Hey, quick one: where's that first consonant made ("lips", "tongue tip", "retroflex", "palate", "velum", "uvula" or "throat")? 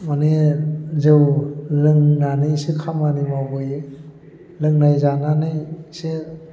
lips